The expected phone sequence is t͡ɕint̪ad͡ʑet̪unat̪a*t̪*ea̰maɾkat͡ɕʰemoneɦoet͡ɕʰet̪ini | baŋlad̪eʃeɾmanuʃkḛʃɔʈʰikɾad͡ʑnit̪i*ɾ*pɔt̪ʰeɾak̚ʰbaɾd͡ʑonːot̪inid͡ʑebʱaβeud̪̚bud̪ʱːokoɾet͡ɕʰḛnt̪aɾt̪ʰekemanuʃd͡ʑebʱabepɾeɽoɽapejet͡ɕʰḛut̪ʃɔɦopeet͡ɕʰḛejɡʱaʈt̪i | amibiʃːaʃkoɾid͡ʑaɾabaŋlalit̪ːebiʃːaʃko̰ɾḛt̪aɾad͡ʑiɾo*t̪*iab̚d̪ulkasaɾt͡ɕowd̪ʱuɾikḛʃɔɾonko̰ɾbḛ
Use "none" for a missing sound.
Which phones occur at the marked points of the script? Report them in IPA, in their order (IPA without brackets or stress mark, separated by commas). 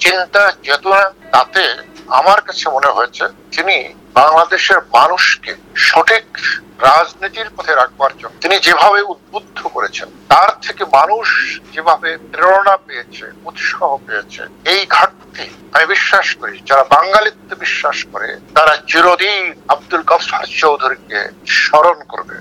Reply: t̪, ɾ, d̪